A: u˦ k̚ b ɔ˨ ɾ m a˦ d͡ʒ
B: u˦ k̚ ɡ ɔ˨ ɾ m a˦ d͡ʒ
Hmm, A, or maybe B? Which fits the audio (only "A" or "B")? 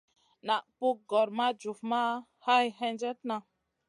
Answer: B